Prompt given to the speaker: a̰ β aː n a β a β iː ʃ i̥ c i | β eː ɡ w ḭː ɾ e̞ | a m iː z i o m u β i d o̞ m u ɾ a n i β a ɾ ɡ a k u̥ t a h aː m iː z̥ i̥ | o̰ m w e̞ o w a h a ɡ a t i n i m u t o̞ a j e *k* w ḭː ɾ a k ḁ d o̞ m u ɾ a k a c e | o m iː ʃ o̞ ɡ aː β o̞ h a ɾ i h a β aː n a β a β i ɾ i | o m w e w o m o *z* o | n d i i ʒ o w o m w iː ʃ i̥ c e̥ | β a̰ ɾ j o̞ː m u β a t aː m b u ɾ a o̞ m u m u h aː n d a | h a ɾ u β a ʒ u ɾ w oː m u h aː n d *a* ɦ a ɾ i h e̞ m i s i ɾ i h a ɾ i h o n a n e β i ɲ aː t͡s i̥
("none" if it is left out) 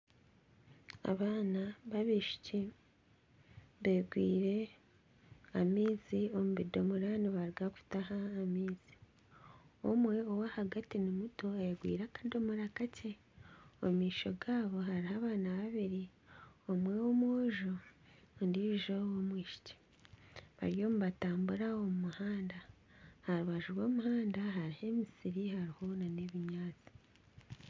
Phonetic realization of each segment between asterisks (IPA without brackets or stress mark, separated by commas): ɡ, ʒ, a